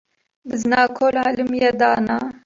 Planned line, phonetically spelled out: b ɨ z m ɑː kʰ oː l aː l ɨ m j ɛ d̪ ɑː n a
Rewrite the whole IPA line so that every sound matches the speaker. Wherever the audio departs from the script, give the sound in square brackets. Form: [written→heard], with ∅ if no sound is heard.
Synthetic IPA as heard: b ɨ z [m→n] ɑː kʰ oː l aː l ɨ m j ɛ d̪ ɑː n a